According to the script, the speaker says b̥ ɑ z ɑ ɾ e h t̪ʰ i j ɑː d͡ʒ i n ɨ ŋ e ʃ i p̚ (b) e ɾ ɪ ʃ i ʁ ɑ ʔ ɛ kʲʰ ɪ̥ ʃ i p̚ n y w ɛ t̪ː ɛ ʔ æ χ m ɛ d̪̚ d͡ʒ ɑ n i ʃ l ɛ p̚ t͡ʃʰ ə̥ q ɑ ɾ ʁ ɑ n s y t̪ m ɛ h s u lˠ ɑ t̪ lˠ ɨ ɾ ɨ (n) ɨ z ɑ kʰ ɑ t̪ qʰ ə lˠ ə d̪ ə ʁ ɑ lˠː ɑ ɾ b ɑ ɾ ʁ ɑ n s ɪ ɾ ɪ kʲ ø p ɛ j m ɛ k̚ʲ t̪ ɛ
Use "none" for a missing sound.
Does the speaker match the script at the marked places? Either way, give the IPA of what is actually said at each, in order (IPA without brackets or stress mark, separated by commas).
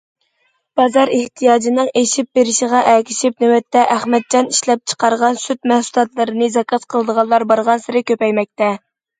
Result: b, n